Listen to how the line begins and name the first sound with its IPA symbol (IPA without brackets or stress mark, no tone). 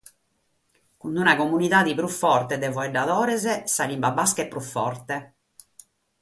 k